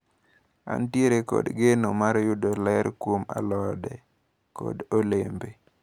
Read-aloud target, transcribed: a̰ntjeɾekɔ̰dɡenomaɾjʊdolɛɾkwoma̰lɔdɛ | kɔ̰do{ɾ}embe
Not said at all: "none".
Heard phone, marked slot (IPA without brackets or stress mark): l